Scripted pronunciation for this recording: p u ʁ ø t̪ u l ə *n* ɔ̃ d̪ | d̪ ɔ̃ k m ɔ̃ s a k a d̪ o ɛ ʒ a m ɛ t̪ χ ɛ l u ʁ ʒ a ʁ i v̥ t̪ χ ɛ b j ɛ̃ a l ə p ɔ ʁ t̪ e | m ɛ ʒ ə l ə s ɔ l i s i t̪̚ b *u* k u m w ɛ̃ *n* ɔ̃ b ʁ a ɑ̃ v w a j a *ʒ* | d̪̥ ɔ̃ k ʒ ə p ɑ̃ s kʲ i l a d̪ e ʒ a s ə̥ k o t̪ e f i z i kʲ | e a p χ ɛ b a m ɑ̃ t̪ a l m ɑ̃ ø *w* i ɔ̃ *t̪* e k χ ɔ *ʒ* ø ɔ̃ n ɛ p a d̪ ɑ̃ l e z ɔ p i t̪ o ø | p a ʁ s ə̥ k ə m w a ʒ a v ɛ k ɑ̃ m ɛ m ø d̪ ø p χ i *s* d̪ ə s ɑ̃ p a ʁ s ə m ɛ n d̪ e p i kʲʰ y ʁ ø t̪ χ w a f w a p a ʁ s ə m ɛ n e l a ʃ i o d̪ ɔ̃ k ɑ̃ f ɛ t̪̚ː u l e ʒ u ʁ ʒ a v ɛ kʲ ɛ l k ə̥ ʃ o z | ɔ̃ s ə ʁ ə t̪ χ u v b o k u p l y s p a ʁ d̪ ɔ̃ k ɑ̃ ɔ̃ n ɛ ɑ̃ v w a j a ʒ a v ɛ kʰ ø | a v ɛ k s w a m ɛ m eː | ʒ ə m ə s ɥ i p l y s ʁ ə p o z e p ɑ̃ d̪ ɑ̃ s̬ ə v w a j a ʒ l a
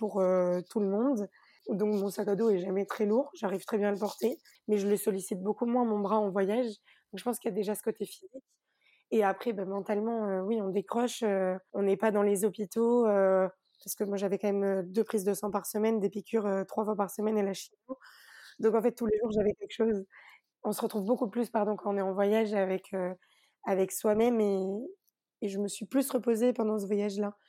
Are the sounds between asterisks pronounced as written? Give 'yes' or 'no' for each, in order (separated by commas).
no, no, no, yes, yes, no, no, no